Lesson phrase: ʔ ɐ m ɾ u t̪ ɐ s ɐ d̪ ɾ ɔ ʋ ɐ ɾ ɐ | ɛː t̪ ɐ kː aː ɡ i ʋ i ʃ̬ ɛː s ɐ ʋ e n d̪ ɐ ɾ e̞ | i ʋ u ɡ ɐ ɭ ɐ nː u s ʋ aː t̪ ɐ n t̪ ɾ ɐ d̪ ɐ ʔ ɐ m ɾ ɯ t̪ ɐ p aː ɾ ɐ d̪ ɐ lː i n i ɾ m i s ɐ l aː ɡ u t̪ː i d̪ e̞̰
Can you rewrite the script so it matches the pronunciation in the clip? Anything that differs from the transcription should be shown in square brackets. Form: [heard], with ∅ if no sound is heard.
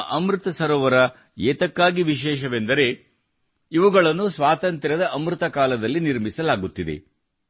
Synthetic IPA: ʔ ɐ m ɾ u t̪ ɐ s ɐ [∅] ɾ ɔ ʋ ɐ ɾ ɐ | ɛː t̪ ɐ kː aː ɡ i ʋ i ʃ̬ ɛː [ʃ] ɐ ʋ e n d̪ ɐ ɾ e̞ | i ʋ u ɡ ɐ ɭ ɐ nː u s ʋ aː t̪ ɐ n t̪ ɾ ɐ d̪ ɐ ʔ ɐ m ɾ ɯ t̪ ɐ [k] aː [l] ɐ d̪ ɐ lː i n i ɾ m i s ɐ l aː ɡ u t̪ː i d̪ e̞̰